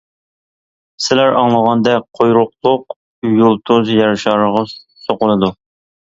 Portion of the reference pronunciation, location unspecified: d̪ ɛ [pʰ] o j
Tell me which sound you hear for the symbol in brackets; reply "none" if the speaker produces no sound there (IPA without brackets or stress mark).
qʰ